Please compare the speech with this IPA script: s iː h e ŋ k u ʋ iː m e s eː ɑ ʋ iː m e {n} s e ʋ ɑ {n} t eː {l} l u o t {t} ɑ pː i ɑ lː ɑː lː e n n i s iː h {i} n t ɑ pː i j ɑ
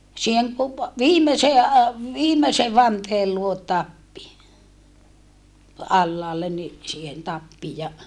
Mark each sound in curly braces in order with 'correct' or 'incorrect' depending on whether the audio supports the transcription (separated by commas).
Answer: incorrect, correct, correct, correct, incorrect